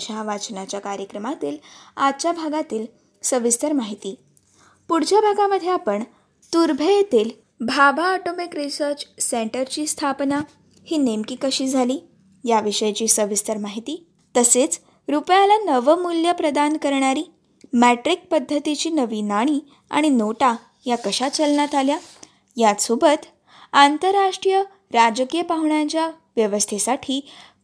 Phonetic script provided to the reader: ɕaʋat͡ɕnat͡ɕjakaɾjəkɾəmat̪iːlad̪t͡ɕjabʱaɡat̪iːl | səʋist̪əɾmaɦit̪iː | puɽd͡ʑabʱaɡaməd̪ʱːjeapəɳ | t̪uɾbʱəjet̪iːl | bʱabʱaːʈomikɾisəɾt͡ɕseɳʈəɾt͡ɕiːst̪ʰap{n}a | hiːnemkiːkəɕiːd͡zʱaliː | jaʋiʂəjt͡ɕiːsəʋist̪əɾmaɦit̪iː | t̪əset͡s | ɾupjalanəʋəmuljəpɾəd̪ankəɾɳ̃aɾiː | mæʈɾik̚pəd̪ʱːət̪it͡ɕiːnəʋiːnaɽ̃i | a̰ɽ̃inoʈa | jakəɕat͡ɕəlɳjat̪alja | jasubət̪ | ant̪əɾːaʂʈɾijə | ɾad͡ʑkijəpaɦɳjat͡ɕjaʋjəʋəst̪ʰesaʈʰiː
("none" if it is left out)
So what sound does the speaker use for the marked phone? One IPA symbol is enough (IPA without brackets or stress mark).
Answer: n